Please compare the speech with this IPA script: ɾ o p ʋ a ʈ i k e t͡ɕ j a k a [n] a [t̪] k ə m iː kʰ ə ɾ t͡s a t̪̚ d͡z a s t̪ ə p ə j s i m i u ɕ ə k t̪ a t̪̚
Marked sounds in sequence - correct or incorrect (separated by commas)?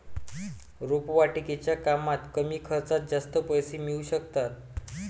incorrect, correct